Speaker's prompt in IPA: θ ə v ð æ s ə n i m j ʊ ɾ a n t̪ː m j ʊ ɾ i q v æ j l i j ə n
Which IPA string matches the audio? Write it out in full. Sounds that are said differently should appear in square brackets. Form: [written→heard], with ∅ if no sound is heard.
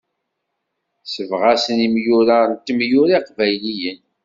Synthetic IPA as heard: [θ→s] ə v [ð→ʁ] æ s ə n i m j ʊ ɾ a n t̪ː m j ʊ ɾ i q v æ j l i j ə n